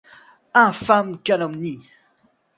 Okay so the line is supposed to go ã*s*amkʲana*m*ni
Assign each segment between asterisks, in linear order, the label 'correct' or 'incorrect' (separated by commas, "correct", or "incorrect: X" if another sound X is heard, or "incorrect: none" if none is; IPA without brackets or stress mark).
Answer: incorrect: f, correct